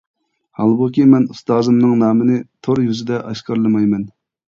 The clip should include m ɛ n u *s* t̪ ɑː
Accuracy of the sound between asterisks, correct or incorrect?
correct